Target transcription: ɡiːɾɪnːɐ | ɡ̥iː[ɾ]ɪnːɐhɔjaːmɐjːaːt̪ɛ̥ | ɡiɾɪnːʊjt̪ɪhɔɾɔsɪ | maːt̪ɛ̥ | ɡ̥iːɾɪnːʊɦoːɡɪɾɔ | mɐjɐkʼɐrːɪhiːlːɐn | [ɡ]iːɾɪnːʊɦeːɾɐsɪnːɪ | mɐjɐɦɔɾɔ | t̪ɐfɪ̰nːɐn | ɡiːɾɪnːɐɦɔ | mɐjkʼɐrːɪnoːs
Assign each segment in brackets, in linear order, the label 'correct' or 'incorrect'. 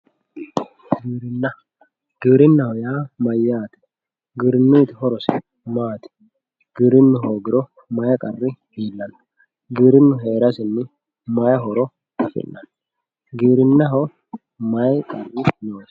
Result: correct, correct

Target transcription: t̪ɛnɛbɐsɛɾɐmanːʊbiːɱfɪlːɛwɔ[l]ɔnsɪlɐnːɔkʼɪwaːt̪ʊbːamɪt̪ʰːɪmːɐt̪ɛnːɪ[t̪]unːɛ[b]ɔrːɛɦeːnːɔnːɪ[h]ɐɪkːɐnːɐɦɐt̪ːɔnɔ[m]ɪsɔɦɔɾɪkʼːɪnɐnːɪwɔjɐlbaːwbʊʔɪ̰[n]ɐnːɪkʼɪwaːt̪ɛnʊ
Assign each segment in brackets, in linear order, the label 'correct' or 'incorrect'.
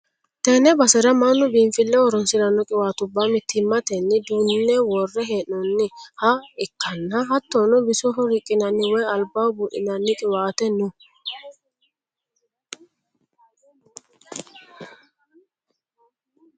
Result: incorrect: ɾ, incorrect: d̪, incorrect: w, correct, incorrect: b, correct

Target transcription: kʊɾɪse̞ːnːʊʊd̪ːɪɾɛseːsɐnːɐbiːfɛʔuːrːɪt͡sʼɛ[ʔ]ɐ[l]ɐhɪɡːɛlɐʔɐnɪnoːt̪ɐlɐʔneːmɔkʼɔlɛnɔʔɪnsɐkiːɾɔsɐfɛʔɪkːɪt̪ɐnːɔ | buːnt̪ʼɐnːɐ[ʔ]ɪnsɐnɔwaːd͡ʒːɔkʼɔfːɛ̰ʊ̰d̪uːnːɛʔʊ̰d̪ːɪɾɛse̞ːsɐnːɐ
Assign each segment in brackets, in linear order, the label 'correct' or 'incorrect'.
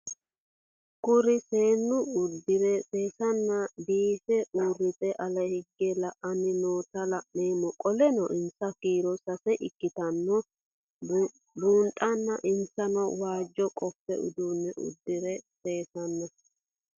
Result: correct, correct, correct

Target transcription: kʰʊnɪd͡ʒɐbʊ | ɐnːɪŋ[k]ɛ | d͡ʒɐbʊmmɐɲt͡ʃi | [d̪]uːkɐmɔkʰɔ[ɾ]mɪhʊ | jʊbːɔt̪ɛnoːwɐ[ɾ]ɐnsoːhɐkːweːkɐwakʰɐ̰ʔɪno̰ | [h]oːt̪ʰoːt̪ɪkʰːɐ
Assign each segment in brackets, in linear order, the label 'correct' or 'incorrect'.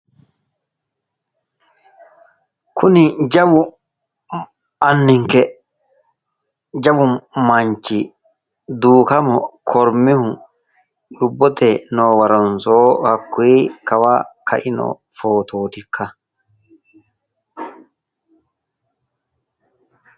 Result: correct, correct, correct, correct, incorrect: f

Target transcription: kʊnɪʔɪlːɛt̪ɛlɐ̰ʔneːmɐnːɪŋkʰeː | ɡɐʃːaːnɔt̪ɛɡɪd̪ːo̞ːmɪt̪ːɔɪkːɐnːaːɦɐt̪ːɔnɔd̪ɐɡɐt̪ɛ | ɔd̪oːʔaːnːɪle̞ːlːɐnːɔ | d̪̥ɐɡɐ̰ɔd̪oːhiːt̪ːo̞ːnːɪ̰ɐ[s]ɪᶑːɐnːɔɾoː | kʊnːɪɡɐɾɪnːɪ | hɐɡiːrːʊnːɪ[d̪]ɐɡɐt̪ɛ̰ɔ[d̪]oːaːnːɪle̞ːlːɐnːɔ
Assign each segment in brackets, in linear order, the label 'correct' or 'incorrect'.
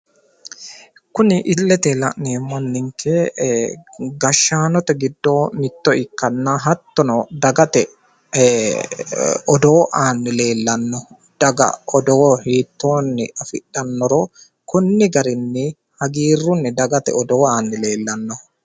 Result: incorrect: f, correct, correct

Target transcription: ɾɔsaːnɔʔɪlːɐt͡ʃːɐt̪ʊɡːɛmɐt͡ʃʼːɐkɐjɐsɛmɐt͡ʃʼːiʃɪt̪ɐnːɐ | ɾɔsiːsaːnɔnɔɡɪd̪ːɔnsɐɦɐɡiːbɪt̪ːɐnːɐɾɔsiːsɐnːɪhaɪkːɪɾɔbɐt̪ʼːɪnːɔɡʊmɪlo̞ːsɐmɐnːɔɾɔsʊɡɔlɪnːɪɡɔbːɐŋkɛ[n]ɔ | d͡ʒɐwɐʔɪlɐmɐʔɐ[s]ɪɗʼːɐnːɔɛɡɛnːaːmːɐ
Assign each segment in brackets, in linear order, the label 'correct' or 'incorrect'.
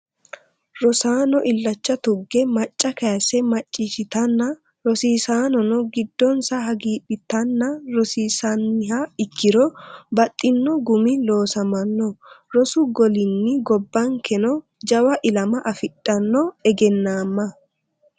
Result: correct, incorrect: f

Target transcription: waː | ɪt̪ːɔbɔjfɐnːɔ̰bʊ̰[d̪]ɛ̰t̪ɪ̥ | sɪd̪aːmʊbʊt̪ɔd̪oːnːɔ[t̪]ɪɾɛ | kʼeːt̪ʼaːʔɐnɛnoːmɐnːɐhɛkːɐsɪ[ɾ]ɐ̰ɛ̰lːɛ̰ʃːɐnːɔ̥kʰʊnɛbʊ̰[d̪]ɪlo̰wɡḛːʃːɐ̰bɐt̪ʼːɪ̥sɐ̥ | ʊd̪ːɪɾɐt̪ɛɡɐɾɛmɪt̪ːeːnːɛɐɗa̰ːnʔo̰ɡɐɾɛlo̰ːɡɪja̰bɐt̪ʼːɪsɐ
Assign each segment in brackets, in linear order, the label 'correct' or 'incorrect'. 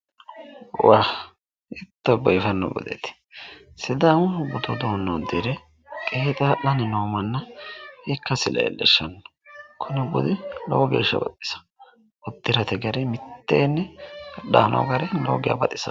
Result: correct, incorrect: d̪, incorrect: l, correct

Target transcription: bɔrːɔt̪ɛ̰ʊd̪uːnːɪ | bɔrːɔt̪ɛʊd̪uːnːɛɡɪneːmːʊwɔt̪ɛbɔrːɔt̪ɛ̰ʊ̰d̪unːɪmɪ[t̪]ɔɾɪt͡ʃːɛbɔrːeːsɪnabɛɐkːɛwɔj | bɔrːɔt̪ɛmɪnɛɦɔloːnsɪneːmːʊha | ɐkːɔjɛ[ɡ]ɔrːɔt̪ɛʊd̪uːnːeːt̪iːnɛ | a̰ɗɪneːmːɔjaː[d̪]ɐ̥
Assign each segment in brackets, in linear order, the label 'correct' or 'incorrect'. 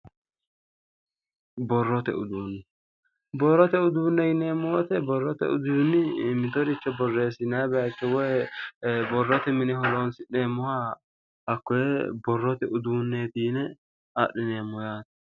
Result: correct, incorrect: b, incorrect: t̪

